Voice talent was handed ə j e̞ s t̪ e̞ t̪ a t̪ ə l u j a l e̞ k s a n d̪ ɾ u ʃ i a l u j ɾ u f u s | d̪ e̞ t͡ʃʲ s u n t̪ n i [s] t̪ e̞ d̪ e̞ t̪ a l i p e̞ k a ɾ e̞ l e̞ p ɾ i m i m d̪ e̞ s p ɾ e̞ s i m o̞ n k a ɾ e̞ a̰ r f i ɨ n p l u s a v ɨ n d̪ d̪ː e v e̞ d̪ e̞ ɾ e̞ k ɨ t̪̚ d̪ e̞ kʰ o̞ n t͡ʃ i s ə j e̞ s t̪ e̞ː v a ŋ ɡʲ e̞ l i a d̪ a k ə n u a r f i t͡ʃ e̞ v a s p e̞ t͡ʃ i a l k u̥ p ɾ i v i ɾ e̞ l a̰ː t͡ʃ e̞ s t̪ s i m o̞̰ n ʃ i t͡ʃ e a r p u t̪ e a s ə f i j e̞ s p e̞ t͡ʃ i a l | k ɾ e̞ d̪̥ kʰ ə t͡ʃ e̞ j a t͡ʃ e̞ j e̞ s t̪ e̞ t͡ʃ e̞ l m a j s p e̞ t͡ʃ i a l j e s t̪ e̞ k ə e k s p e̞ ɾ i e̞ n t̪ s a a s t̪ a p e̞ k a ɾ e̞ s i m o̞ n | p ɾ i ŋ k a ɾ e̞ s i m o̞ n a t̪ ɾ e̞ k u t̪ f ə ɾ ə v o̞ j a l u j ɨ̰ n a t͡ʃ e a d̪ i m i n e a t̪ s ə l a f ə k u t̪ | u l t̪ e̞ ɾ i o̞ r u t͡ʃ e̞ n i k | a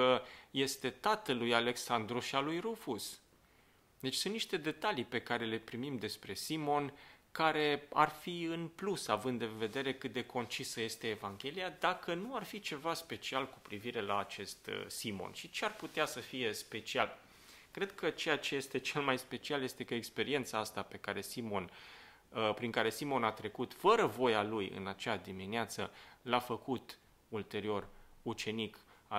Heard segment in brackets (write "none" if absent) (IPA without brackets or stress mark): ʃ